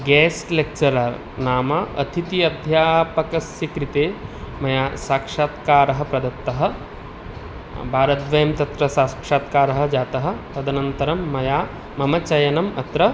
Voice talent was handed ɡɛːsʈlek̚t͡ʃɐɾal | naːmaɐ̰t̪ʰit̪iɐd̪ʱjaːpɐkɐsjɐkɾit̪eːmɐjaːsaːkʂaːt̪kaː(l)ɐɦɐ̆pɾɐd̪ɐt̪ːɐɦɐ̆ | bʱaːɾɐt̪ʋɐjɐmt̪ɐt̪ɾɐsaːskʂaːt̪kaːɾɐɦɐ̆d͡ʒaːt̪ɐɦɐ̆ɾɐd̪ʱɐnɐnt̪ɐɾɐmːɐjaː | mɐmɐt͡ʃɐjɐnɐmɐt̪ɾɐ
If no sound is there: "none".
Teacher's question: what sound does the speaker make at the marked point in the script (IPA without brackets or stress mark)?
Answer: ɾ